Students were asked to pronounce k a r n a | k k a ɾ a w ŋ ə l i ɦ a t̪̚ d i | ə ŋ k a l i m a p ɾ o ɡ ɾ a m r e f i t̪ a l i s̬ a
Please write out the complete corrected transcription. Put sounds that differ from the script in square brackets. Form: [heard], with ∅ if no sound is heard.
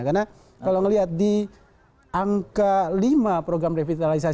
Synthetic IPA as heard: k a r n a | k k a [l] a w ŋ ə l i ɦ a t̪̚ d i | [a] ŋ k a l i m a p ɾ o ɡ ɾ a m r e f i t̪ a l i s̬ a